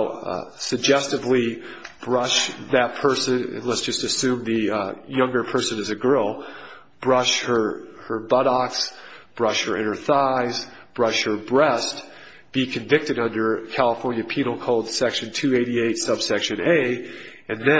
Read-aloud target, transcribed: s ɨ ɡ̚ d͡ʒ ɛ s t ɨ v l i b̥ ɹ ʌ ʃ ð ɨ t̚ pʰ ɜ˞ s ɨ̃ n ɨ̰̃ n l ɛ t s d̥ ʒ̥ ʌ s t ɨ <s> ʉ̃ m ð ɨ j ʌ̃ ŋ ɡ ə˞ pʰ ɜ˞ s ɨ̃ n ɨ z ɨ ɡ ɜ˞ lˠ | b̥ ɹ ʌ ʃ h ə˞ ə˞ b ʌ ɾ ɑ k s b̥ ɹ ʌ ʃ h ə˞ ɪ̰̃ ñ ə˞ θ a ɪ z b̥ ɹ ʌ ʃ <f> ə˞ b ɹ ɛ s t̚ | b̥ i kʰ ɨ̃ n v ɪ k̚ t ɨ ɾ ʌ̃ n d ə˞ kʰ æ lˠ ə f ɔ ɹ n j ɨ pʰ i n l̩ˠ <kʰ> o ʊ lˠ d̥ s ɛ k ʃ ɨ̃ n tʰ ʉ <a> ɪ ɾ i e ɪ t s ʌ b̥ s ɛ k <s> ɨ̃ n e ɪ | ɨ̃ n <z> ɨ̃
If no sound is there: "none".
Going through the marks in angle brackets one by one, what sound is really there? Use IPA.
s, h, kʰ, e, ʃ, ð

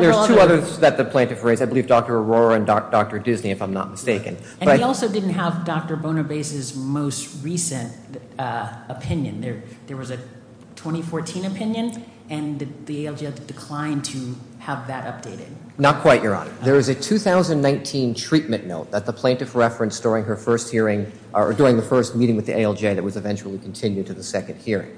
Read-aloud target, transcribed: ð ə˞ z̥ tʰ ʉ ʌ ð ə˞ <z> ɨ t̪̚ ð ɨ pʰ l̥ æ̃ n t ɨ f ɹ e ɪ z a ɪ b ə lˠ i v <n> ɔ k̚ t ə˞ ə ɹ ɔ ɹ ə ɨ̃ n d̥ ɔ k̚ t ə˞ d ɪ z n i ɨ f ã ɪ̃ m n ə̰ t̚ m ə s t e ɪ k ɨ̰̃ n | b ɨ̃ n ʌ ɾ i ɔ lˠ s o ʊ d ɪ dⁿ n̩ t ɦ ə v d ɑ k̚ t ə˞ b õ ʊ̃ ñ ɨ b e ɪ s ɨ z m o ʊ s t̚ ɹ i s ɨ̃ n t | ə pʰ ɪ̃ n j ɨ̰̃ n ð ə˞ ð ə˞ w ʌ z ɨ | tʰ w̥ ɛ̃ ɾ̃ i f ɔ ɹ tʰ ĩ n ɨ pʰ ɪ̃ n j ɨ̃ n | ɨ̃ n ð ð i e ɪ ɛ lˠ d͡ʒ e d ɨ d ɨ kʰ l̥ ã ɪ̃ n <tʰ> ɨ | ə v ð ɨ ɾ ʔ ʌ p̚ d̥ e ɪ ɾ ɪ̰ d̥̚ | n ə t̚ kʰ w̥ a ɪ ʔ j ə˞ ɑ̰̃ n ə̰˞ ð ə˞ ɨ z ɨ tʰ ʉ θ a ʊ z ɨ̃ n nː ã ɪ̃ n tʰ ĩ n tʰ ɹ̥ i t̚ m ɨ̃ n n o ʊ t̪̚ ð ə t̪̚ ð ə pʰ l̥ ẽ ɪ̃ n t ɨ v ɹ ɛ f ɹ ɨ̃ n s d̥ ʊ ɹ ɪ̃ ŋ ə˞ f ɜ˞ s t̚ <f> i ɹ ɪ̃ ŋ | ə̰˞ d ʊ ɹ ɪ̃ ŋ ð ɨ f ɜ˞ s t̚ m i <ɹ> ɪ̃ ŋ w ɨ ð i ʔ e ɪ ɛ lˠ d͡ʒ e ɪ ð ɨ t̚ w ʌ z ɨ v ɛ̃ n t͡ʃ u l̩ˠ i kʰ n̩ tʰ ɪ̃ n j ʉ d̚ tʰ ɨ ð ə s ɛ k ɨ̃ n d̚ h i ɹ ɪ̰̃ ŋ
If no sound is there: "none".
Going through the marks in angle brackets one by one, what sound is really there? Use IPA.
ð, d, tʰ, h, ɾ

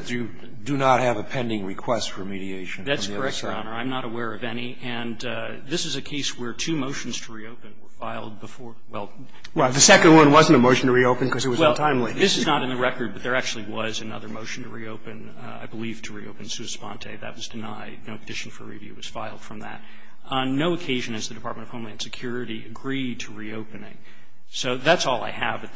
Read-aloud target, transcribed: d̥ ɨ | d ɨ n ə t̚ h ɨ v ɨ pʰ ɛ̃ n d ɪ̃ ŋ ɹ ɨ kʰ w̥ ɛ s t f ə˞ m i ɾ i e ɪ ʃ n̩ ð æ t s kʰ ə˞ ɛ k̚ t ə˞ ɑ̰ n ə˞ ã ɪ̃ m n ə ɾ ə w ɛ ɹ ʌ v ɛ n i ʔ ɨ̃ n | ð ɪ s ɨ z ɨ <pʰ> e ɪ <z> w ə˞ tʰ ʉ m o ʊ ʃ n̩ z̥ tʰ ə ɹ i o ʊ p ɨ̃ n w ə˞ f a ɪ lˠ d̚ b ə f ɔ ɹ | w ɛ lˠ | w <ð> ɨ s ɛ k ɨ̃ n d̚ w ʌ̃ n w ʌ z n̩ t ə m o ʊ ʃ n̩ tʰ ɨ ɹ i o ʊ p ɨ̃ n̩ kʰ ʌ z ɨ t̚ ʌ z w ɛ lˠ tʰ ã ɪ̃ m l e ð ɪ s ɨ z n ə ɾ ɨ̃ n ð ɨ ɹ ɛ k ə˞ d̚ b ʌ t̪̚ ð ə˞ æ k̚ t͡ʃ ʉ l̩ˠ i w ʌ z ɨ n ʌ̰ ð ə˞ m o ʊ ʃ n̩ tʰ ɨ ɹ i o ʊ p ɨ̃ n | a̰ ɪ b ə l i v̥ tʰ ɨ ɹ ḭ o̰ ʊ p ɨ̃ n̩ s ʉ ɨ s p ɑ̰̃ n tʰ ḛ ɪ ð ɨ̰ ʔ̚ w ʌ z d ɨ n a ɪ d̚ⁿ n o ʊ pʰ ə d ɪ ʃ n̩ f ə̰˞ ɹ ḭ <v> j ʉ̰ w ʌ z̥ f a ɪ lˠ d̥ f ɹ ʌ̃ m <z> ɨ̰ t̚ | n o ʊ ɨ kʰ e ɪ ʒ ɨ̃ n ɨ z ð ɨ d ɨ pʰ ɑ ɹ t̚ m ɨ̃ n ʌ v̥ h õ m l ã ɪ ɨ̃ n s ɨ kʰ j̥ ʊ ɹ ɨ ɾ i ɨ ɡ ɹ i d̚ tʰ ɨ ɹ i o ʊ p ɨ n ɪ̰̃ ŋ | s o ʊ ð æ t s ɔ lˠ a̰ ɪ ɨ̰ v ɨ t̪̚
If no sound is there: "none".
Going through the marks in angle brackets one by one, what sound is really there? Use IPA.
kʰ, s, ð, v, ð

